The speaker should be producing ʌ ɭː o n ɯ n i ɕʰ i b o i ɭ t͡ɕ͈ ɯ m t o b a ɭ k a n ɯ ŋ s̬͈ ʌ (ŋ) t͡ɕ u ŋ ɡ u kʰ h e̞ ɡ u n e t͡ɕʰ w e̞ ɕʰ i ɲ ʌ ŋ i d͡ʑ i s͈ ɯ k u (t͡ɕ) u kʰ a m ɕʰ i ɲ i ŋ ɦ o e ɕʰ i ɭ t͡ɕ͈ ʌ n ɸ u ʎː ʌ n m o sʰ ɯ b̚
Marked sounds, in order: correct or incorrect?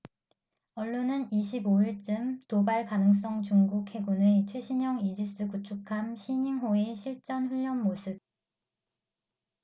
correct, incorrect

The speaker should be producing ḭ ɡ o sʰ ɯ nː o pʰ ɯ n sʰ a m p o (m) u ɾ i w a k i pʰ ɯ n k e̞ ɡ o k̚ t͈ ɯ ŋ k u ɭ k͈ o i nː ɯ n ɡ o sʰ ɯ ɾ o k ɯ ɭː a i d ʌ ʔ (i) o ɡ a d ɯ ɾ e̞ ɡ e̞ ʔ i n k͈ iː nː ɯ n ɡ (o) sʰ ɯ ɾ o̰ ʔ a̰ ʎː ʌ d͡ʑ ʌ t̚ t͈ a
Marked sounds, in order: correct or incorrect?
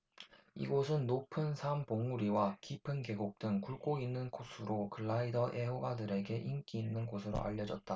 incorrect, incorrect, correct

